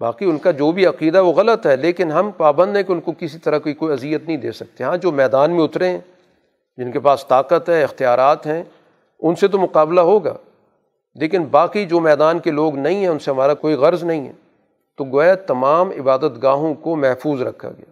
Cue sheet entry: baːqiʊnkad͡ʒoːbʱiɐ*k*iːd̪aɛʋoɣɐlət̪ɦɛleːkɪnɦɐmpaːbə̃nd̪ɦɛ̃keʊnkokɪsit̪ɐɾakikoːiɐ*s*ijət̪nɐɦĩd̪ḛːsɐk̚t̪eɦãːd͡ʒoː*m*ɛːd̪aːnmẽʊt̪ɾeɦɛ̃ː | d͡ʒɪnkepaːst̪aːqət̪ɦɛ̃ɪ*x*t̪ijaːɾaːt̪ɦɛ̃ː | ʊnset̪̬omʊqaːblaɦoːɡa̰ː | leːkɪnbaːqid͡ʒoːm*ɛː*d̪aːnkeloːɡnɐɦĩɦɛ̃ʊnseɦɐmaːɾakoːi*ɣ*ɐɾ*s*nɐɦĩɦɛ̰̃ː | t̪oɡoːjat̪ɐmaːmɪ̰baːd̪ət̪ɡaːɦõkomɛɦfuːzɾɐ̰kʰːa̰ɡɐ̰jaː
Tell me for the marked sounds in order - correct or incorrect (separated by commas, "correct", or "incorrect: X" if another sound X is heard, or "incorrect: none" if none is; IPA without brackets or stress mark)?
incorrect: q, incorrect: z, correct, correct, correct, correct, incorrect: z